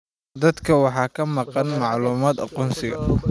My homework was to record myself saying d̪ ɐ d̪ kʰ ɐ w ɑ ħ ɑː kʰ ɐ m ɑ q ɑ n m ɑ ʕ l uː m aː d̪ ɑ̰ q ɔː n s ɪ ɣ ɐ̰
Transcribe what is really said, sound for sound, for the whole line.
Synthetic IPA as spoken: d̪ ɐ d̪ kʰ ɐ w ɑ ħ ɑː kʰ ɐ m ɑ q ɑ n m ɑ ʕ l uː m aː d̪ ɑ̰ q ɔː n s ɪ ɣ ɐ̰